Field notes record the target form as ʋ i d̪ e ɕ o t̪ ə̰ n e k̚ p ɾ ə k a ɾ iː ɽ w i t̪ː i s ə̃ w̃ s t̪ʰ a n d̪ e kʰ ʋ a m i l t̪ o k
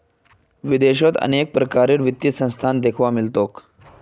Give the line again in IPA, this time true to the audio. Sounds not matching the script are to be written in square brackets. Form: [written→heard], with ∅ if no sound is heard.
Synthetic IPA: ʋ i d̪ e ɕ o t̪ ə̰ n e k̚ p ɾ ə k a ɾ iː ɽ [w→ʋ] i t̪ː i s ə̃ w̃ s t̪ʰ a n d̪ e kʰ ʋ a m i l t̪ o k